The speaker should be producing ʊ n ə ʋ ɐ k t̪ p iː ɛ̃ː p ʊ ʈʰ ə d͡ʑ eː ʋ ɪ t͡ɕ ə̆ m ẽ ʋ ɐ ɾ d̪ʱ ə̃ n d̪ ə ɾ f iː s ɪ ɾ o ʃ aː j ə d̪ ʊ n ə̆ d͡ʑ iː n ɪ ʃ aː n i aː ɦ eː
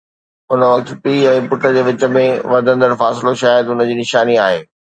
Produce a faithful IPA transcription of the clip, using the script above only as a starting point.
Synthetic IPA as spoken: ʊ n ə ʋ ɐ k t̪ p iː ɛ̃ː p ʊ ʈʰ ə d͡ʑ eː ʋ ɪ t͡ɕ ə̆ m ẽ ʋ ɐ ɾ d̪ʱ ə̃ n d̪ ə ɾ f aː s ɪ l o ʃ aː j ə d̪ ʊ n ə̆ d͡ʑ iː n ɪ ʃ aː n i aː ɦ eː